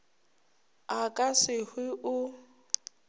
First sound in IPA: a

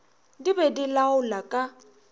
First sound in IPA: d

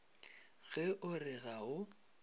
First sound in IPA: ɣ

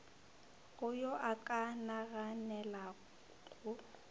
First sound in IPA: ɣ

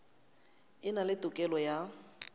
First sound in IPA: ɪ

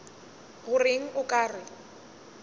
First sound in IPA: ɣ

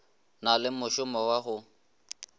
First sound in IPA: n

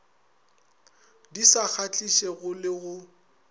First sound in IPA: d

